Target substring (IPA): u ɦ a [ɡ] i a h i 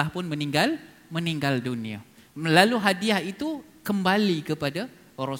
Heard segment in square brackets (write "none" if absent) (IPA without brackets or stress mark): d